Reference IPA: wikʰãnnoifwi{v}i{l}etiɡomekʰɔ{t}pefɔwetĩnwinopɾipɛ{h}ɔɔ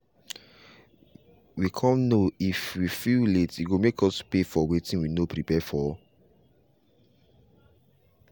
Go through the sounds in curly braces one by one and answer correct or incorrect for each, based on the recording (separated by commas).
incorrect, correct, incorrect, incorrect